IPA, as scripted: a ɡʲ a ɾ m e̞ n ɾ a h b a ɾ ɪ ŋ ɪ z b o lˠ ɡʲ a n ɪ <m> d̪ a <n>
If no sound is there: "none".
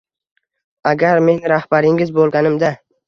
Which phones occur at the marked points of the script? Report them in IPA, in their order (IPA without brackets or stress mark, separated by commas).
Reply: m, none